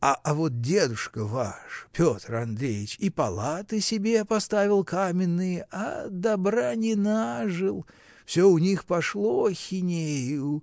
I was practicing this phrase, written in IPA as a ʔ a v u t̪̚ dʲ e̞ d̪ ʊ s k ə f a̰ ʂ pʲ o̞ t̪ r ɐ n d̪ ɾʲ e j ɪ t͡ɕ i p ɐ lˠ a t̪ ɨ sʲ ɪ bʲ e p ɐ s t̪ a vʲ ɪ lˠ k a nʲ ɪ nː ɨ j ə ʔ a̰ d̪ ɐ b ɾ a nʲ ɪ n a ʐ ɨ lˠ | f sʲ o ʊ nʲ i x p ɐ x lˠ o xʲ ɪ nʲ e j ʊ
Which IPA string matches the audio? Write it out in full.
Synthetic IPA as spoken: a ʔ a v o t̪̚ dʲ e̞ d̪ ʊ ʂ k ə v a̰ ʂ pʲ o̞ t̪ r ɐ n d̪ ɾʲ e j ɪ t͡ɕ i p ɐ lˠ a t̪ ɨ sʲ ɪ bʲ e p ɐ s t̪ a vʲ ɪ lˠ k a mʲ ɪ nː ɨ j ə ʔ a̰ d̪ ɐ b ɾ a nʲ ɪ n a ʐ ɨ lˠ | f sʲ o ʊ nʲ i x p ɐ ʂ lˠ o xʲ ɪ nʲ e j ʊ